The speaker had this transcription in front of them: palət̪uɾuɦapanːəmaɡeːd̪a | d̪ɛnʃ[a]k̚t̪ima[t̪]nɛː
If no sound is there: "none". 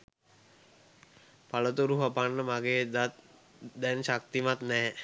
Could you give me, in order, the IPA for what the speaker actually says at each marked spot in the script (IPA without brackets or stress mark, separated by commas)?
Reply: a, t̪